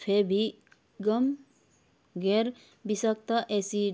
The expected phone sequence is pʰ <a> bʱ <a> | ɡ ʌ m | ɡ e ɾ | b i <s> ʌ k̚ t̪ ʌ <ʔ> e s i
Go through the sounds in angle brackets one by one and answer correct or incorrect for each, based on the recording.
incorrect, incorrect, correct, correct

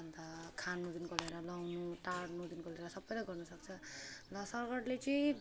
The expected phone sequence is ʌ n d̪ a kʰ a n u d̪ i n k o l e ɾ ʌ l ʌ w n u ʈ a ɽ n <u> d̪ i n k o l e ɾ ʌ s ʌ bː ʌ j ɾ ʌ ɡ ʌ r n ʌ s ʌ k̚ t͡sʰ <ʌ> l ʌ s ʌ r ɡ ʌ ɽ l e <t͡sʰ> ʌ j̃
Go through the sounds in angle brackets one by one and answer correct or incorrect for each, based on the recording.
correct, correct, incorrect

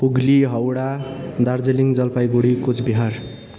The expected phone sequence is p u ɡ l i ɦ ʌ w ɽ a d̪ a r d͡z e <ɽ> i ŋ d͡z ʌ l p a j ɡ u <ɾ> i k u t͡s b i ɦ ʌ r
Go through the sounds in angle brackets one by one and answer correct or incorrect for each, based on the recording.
incorrect, incorrect

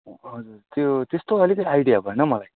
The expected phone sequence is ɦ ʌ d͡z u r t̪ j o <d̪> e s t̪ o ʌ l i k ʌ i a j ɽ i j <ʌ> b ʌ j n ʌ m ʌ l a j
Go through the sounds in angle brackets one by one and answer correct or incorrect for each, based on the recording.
incorrect, incorrect

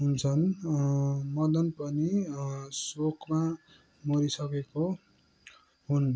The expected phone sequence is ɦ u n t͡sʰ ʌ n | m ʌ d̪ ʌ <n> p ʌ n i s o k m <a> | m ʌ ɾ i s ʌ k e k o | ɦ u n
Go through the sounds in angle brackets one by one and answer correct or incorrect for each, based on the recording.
correct, correct

